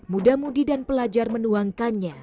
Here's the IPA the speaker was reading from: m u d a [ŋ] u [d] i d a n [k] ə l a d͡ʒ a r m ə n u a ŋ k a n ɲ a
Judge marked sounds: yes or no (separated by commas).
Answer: no, yes, no